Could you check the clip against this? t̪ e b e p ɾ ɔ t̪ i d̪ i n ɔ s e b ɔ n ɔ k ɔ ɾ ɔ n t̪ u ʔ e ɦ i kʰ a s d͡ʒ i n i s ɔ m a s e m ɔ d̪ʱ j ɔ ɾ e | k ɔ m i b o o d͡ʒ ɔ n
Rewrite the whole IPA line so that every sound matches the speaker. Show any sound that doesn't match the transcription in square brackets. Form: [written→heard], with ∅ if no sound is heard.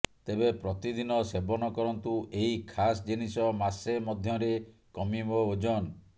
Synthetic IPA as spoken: t̪ e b e p ɾ ɔ t̪ i d̪ i n ɔ s e b ɔ n ɔ k ɔ ɾ ɔ n t̪ u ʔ e ɦ i kʰ a s d͡ʒ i n i s ɔ m a s e m ɔ d̪ʱ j ɔ ɾ e | k ɔ m i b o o d͡ʒ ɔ n

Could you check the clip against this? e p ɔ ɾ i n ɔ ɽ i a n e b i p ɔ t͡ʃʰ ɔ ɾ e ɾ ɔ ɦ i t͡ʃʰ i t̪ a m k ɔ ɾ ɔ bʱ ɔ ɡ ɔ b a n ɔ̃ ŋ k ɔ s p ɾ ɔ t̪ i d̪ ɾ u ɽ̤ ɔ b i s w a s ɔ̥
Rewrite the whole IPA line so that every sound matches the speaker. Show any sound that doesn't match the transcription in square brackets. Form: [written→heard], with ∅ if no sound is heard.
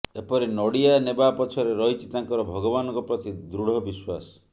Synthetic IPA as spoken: e p ɔ ɾ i n ɔ ɽ i a n e b [i→a] p ɔ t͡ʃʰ ɔ ɾ e ɾ ɔ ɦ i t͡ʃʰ i t̪ a [m→ŋ] k ɔ ɾ ɔ bʱ ɔ ɡ ɔ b a n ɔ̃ ŋ k ɔ [s→∅] p ɾ ɔ t̪ i d̪ ɾ u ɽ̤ ɔ b i s w a s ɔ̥

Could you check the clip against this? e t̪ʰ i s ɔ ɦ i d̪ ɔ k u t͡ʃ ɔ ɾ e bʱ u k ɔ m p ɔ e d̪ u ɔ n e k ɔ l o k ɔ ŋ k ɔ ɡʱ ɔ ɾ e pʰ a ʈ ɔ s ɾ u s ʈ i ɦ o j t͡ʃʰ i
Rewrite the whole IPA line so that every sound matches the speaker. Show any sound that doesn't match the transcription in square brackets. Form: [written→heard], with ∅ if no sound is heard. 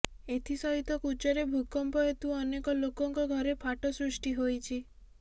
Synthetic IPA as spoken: e t̪ʰ i s ɔ ɦ i [d̪→t̪] ɔ k u t͡ʃ ɔ ɾ e bʱ u k ɔ m p ɔ e [d̪→t̪] u ɔ n e k ɔ l o k ɔ ŋ k ɔ ɡʱ ɔ ɾ e pʰ a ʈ ɔ s ɾ u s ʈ i ɦ o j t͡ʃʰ i

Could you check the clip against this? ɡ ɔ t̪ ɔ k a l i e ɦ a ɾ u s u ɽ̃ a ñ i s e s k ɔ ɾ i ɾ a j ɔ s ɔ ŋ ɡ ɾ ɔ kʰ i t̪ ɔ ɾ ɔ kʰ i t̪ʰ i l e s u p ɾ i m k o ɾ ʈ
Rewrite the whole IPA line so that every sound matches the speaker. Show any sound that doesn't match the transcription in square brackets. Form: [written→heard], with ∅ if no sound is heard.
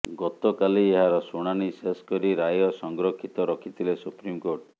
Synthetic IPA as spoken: ɡ ɔ t̪ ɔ k a l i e ɦ a ɾ [u→ɔ] s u ɽ̃ a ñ i s e s k ɔ ɾ i ɾ a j ɔ s ɔ ŋ ɡ ɾ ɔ kʰ i t̪ ɔ ɾ ɔ kʰ i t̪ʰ i l e s u p ɾ i m k o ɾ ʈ

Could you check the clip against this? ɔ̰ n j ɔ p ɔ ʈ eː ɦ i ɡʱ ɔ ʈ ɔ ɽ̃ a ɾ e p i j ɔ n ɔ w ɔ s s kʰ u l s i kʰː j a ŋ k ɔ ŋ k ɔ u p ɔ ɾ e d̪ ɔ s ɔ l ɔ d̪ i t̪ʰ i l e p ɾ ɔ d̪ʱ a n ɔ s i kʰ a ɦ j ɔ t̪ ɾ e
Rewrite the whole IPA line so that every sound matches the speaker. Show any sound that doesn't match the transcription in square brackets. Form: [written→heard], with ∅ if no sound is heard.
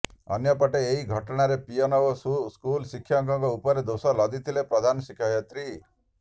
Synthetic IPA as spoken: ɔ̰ n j ɔ p ɔ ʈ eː ɦ i ɡʱ ɔ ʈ ɔ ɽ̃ a ɾ e p i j ɔ n ɔ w ɔ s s [kʰ→k] u l s i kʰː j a ŋ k ɔ ŋ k ɔ u p ɔ ɾ e d̪ [ɔ→o] s ɔ l ɔ d̪ i t̪ʰ i l e p ɾ ɔ d̪ʱ a n ɔ s i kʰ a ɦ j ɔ t̪ ɾ [e→i]

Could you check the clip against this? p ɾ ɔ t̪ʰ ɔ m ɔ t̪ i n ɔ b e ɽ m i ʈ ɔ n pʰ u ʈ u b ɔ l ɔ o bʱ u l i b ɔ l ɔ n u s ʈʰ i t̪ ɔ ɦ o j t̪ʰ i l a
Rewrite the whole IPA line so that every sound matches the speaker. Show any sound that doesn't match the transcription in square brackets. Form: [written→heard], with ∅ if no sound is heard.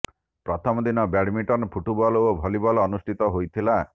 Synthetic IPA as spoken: p ɾ ɔ t̪ʰ ɔ m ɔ [t̪→d̪] i n ɔ b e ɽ m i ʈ ɔ n pʰ u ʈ u b ɔ l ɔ o bʱ [u→ɔ] l i b ɔ l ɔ n u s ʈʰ i t̪ ɔ ɦ o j t̪ʰ i l a

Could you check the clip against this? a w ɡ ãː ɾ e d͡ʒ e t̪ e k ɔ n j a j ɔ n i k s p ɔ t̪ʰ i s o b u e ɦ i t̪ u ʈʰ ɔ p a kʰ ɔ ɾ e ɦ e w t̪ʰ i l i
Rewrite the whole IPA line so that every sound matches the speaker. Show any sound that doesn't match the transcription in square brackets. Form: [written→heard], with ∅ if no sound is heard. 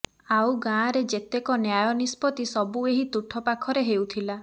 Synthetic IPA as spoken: a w ɡ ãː ɾ e d͡ʒ e t̪ e k ɔ n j a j ɔ n i [k→∅] s p ɔ [t̪ʰ→t̪] i s [o→ɔ] b u e ɦ i t̪ u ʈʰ ɔ p a kʰ ɔ ɾ e ɦ e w t̪ʰ i l [i→a]

